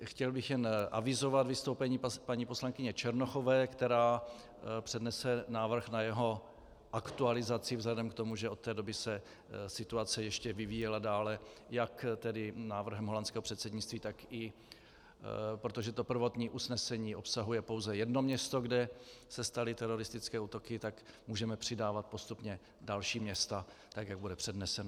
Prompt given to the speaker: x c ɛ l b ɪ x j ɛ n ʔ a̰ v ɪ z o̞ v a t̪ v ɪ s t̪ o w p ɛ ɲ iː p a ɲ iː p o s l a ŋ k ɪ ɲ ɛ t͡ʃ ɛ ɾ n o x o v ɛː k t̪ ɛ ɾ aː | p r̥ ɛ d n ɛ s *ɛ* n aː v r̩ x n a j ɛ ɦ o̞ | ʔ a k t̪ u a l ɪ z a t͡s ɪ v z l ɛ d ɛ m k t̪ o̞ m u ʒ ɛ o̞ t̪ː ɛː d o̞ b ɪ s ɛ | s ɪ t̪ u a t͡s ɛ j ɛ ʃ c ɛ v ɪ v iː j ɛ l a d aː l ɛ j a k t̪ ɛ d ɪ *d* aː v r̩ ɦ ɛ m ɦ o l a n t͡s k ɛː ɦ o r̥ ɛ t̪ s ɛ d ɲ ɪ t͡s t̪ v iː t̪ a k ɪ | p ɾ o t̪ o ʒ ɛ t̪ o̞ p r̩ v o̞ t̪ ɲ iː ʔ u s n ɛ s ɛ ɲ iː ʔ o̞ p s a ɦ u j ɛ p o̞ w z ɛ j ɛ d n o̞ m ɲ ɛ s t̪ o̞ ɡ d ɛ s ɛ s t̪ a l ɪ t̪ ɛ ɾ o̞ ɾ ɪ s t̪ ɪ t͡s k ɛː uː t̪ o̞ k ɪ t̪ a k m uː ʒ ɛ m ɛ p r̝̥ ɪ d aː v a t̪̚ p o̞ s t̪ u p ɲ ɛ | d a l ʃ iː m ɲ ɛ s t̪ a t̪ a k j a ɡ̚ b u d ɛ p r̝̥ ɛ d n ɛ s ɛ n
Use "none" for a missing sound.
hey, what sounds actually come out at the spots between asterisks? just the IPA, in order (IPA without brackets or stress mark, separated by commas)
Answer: ɛ, n